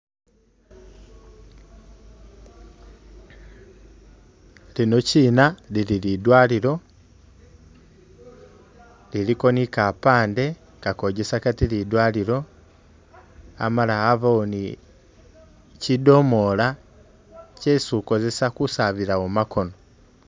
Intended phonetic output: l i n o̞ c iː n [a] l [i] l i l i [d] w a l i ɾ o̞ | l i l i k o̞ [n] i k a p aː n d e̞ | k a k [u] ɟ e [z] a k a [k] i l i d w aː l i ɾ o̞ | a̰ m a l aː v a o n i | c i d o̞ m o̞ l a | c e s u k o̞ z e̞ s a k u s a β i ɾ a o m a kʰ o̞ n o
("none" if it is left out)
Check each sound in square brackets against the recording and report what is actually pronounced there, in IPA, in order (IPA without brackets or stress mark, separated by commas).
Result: a, i, d, n, o, s, t